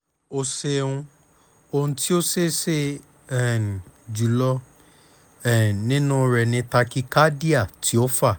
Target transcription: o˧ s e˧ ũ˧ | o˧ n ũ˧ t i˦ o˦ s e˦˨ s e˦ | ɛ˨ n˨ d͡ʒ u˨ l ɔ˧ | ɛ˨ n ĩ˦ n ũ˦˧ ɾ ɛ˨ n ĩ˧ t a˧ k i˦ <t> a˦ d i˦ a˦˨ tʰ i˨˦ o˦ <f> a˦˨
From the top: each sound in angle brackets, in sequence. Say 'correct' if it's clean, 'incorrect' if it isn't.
incorrect, correct

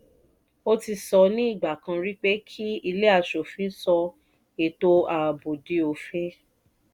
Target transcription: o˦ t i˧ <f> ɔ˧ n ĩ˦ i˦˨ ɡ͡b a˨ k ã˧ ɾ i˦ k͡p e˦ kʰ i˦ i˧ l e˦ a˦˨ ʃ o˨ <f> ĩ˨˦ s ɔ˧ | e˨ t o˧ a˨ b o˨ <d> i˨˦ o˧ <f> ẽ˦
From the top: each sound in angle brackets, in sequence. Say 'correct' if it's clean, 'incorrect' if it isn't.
incorrect, correct, correct, correct

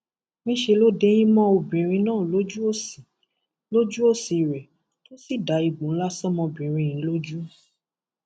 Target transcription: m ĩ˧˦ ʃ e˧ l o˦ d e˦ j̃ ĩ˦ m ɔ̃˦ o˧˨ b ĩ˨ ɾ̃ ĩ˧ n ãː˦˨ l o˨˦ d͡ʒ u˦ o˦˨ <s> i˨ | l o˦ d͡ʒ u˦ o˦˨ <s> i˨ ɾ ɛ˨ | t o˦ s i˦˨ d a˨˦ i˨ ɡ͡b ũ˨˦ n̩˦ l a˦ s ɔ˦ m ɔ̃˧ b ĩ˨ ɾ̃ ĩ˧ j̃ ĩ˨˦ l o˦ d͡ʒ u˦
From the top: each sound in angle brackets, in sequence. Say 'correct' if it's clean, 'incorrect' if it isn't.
correct, correct

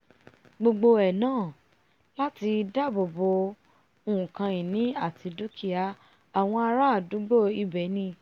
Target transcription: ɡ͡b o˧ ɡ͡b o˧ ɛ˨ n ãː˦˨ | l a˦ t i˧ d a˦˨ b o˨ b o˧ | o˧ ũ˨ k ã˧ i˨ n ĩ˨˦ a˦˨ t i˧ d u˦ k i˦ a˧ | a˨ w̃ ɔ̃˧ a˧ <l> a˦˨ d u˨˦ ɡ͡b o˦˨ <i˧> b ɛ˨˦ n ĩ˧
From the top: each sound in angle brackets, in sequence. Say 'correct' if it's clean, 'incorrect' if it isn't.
incorrect, correct

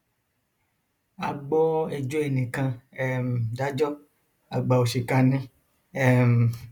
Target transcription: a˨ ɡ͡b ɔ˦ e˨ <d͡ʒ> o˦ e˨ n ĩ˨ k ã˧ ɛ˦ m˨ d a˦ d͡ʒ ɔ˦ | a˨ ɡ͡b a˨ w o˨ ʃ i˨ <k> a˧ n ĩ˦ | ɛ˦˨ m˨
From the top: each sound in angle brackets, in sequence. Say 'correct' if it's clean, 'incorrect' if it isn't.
correct, correct

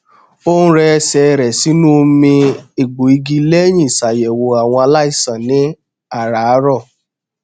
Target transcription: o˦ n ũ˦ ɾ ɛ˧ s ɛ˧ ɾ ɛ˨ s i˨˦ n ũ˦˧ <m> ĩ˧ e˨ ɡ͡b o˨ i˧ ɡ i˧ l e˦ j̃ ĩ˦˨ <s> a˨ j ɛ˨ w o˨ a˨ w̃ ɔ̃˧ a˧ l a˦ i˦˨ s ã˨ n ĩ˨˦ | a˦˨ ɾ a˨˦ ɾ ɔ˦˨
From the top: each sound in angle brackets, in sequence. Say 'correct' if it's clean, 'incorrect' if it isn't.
correct, correct

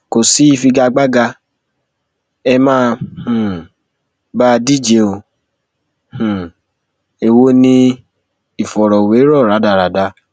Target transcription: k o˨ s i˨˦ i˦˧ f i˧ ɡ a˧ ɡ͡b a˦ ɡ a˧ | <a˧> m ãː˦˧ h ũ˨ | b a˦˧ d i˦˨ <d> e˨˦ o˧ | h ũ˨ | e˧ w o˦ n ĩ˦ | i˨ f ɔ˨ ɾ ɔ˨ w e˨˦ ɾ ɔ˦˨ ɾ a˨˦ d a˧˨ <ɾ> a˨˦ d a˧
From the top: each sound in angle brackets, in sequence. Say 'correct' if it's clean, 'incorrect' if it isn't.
incorrect, incorrect, correct

